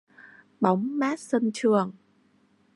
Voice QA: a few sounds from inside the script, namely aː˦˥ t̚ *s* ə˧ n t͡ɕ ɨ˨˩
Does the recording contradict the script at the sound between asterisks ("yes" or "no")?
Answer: no